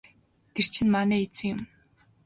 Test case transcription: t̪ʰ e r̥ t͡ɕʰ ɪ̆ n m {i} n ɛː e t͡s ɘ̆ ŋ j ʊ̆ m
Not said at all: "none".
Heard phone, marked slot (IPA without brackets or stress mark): a